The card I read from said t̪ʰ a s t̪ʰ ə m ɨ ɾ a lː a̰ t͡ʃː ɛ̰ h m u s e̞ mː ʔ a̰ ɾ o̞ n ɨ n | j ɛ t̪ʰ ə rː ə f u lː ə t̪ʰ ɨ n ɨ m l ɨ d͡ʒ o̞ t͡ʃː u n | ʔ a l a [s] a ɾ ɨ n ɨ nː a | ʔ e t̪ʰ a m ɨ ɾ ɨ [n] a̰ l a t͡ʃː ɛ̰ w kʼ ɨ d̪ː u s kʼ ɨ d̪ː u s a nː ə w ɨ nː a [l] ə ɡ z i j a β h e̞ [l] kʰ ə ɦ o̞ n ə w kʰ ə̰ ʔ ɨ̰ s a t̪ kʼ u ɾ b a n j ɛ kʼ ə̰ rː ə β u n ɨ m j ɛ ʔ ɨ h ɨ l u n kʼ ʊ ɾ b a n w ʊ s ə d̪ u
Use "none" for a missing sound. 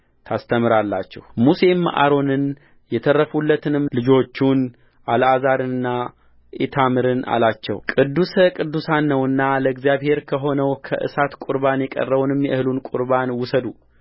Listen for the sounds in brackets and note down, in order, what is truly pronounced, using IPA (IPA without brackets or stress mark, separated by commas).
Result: z, n, l, ɾ